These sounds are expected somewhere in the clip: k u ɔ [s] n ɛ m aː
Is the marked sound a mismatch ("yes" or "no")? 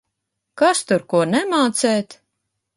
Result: yes